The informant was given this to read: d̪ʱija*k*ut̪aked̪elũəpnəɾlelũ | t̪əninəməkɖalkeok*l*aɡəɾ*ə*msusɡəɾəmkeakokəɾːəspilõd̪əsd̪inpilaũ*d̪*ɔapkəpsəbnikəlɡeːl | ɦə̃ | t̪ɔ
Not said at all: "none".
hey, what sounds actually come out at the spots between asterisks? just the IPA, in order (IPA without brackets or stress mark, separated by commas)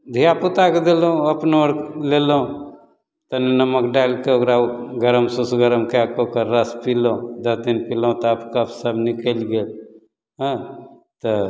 p, ɾ, ə, t̪